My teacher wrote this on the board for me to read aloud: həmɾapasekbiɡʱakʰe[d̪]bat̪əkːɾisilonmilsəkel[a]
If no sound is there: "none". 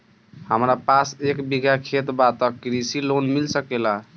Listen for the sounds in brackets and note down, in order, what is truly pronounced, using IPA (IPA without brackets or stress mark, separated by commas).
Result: t̪, a